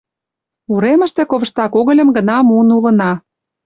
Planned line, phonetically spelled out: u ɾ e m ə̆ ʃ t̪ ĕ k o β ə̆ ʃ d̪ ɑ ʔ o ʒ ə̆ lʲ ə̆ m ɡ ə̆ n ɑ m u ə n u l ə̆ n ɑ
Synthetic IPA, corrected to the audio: u ɾ e m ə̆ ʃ t̪ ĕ k o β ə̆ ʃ t̪ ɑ k o ɣ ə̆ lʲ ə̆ m ɡ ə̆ n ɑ m u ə n u l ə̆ n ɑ